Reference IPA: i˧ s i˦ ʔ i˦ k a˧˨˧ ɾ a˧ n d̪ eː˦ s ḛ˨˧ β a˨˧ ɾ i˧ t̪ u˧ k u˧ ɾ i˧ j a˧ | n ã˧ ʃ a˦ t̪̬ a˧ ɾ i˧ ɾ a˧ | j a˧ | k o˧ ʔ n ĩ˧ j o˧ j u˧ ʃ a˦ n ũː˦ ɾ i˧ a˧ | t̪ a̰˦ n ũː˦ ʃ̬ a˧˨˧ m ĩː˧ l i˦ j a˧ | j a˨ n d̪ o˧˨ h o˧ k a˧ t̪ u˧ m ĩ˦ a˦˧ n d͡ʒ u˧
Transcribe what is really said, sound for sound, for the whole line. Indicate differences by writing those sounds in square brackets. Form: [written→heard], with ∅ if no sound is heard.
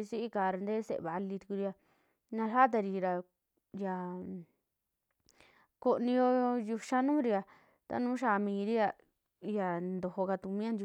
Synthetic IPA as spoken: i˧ s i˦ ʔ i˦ k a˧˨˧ ɾ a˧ n d̪ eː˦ s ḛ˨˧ β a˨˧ [ɾ→l] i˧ t̪ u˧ k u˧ ɾ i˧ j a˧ | n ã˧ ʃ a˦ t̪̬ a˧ ɾ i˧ ɾ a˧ | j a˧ | k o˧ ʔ n ĩ˧ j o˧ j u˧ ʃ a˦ n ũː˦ ɾ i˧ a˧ | t̪ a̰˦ n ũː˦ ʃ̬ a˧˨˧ m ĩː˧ [l→ɾ] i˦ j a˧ | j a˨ n d̪ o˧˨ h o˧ k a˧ t̪ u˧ m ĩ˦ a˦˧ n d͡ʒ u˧

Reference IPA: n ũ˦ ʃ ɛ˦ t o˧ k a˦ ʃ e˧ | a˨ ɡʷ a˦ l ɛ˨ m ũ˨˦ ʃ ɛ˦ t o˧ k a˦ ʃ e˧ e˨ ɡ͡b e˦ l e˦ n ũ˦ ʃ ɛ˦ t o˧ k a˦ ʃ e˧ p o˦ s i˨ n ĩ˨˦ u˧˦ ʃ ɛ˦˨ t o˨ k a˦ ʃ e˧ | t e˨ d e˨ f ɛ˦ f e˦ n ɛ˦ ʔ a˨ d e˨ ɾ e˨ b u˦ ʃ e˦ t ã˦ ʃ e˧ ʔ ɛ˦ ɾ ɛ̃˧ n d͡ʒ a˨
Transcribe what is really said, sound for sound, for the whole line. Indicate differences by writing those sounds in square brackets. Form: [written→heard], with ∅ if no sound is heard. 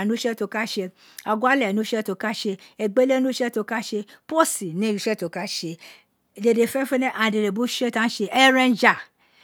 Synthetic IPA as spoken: n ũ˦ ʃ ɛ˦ t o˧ k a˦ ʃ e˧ | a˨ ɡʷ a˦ l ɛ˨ [m→n] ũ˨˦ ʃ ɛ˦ t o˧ k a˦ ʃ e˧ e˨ ɡ͡b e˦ l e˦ n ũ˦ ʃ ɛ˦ t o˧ k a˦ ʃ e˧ p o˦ s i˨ n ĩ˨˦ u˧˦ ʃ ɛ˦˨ t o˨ k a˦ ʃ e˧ | [t→d] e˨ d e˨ f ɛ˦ f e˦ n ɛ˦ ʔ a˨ d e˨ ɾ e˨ b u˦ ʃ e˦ t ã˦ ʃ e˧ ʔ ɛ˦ ɾ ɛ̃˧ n d͡ʒ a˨

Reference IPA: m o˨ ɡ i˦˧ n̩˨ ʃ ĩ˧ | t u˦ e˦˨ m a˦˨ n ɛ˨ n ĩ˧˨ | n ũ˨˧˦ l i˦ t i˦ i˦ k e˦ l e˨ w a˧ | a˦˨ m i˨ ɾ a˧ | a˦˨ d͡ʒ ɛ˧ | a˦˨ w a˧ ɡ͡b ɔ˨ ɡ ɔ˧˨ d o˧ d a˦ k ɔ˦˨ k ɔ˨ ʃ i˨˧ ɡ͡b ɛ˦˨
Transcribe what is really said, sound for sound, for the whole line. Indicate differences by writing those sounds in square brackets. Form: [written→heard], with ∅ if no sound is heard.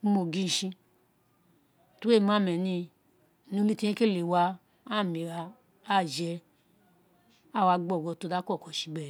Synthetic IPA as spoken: m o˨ ɡ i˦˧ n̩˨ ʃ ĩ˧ | t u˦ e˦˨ m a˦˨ [n→m] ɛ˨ n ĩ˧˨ | n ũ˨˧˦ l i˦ t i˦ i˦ k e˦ l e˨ w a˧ | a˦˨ m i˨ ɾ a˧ | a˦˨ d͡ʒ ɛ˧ | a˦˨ w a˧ ɡ͡b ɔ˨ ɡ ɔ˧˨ [d→t] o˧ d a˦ k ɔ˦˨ k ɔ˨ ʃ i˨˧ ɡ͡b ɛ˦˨

